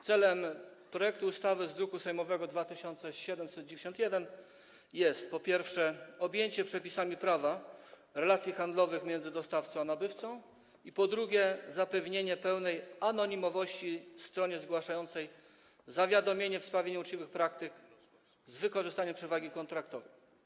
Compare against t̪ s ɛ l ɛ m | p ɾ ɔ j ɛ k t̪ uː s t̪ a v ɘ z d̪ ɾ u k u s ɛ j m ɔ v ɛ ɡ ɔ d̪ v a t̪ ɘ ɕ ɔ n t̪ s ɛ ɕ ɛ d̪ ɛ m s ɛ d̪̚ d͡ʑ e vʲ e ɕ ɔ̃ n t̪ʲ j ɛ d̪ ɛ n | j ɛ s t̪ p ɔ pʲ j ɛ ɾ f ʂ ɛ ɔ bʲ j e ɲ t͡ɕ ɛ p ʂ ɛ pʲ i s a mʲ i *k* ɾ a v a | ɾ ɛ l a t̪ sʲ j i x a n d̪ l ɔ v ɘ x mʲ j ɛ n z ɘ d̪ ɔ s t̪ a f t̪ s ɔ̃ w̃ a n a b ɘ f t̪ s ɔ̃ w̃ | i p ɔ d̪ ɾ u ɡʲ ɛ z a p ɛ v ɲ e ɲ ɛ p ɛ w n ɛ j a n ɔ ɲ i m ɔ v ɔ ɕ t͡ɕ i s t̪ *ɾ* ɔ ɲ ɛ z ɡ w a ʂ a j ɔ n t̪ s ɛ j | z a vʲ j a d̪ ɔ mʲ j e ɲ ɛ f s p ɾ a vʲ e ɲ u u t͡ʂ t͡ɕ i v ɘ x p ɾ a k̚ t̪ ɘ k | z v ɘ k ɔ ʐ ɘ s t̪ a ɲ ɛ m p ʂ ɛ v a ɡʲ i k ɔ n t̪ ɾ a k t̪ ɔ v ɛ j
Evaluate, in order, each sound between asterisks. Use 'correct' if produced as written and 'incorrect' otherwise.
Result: incorrect, correct

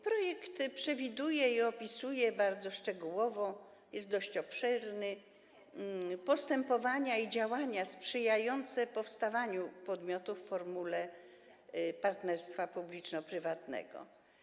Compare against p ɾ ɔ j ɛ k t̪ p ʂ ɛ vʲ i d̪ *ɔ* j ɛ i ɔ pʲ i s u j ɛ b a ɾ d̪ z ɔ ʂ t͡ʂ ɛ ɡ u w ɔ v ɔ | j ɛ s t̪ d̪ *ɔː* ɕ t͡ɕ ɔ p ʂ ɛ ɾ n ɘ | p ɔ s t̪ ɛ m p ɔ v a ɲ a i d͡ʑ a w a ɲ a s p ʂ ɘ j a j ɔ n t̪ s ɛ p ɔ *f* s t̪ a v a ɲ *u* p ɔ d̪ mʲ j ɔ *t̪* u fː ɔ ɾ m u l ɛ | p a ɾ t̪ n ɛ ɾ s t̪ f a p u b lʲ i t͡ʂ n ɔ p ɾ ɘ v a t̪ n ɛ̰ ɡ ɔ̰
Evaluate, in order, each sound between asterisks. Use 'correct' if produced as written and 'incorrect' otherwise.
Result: incorrect, incorrect, correct, correct, correct

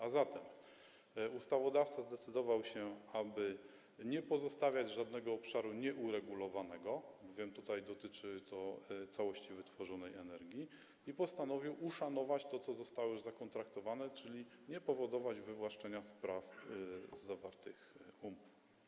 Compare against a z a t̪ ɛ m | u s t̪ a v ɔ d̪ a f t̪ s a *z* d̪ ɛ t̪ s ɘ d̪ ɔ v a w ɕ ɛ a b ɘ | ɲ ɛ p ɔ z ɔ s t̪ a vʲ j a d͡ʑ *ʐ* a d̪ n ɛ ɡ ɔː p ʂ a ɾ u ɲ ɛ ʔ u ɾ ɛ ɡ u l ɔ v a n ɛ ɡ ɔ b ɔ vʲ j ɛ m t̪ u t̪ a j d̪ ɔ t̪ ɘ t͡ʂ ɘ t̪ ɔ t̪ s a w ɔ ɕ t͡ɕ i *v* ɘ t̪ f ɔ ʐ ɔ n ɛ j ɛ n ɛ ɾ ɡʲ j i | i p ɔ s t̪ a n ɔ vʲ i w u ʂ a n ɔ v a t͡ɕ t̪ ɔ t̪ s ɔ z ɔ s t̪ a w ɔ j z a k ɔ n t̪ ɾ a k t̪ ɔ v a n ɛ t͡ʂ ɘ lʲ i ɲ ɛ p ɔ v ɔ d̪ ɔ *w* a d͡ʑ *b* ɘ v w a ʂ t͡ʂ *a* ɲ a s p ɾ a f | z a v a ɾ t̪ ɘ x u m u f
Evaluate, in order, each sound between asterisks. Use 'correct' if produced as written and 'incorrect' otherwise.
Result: correct, correct, correct, incorrect, incorrect, incorrect

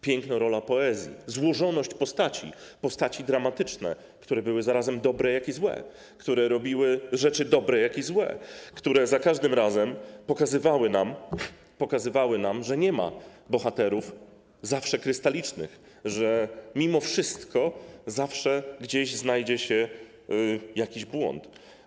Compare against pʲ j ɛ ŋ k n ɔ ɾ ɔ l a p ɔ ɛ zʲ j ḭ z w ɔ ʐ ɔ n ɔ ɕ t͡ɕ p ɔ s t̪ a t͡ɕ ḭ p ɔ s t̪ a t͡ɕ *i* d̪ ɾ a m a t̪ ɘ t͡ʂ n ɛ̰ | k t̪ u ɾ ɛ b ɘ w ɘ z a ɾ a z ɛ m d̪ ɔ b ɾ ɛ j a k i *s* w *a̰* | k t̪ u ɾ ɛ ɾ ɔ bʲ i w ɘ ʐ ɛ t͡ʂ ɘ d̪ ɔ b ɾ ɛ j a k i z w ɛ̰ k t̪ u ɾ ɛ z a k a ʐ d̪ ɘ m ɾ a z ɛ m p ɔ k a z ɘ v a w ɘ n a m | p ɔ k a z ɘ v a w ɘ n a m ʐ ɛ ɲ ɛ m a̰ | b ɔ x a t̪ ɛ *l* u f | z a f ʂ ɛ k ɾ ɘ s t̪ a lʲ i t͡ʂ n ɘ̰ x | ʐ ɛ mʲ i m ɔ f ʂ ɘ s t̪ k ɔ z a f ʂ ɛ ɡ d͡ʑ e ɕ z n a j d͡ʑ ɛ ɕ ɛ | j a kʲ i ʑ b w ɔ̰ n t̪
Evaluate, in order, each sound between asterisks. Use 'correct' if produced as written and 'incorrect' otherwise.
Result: correct, incorrect, incorrect, incorrect

